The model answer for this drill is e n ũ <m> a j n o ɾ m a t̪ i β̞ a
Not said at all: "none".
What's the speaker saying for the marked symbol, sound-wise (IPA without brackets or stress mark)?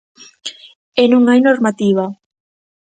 ŋ